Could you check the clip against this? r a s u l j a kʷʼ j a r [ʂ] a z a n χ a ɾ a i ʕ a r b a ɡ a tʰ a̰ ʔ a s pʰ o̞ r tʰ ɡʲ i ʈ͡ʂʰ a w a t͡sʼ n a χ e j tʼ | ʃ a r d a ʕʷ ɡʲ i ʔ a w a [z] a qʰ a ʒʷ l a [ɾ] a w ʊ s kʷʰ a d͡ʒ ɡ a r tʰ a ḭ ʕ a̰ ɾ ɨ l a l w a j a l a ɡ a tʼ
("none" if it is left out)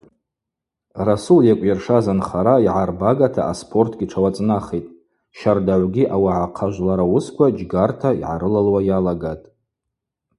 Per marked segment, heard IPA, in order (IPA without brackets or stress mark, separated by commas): ʂ, ʕ, ɾ